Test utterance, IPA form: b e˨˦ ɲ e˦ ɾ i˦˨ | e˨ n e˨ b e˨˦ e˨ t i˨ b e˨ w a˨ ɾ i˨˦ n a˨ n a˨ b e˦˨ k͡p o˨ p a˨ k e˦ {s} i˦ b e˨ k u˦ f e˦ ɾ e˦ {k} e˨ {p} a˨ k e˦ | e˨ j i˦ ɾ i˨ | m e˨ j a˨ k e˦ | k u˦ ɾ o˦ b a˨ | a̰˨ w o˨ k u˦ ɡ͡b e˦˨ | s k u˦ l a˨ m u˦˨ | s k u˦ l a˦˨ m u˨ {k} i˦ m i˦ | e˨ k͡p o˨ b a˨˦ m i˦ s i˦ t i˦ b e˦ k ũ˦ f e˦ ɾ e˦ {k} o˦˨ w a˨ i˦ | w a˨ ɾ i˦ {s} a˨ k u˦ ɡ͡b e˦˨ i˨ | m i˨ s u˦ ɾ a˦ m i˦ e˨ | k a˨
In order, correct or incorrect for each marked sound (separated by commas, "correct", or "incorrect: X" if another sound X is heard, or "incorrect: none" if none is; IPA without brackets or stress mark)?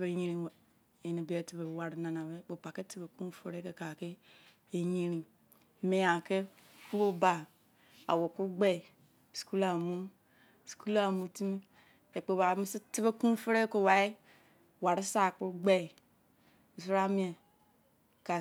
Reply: incorrect: t, correct, incorrect: k, incorrect: t, correct, correct